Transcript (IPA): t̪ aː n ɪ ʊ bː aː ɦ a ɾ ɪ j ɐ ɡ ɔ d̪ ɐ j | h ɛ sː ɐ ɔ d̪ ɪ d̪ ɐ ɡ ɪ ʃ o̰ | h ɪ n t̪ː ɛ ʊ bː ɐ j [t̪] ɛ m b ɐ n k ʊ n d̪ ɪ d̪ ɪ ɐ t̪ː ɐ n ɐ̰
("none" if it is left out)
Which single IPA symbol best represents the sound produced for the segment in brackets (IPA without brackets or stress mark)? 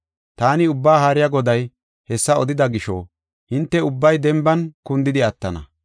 d̪